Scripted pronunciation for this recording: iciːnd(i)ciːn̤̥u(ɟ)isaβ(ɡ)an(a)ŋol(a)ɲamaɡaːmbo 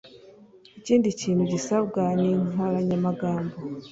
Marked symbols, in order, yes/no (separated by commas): yes, yes, yes, no, yes